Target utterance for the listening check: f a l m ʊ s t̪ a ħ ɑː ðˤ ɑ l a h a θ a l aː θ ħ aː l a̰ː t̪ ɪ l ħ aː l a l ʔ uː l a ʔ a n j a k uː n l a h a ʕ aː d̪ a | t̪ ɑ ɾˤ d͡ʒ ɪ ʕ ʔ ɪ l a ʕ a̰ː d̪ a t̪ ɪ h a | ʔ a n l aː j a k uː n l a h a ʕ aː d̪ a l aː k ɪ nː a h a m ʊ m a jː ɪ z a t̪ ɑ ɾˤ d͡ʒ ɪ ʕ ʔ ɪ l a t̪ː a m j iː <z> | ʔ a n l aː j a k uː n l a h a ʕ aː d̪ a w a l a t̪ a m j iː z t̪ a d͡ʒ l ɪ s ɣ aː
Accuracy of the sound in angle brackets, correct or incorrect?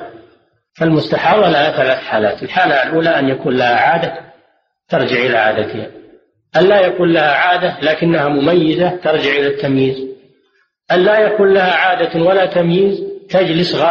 correct